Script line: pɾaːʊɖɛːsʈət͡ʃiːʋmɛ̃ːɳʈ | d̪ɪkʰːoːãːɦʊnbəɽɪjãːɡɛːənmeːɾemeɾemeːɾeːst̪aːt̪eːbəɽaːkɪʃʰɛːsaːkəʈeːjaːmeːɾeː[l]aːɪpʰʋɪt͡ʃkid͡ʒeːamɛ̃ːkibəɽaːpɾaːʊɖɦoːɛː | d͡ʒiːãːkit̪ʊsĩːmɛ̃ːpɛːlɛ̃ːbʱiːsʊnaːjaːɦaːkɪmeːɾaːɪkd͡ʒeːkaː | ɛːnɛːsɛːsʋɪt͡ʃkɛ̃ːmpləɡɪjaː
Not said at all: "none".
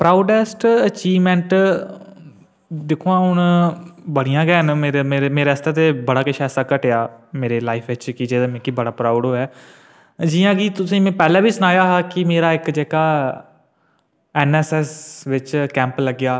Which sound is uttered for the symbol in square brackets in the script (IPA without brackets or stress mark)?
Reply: l